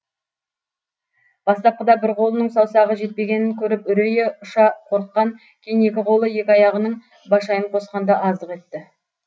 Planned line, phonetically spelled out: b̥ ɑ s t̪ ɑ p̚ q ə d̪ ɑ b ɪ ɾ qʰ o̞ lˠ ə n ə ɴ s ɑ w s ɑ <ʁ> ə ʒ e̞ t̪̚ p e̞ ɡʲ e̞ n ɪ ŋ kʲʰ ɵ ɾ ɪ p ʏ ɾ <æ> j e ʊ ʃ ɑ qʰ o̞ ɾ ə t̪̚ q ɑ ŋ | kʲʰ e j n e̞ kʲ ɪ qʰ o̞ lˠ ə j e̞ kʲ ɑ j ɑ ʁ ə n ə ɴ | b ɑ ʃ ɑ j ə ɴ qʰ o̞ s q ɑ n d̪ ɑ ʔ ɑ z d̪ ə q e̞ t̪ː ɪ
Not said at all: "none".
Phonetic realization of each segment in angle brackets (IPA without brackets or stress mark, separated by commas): ʁ, e